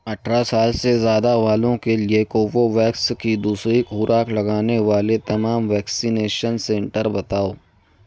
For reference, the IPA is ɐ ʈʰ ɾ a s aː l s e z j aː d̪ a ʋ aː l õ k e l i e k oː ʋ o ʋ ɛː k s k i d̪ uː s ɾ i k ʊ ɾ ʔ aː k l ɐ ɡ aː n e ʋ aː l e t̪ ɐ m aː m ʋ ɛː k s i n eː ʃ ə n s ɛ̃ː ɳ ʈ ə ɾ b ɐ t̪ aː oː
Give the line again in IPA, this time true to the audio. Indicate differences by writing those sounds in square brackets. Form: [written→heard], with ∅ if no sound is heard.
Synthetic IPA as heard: ɐ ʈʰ ɾ a s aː l s e z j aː d̪ a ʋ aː l õ k e l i e k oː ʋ o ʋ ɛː k s k i d̪ uː s ɾ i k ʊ ɾ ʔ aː k l ɐ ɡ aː n e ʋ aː l e t̪ ɐ m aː m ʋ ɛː k s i n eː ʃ ə n s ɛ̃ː ɳ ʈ ə ɾ b ɐ t̪ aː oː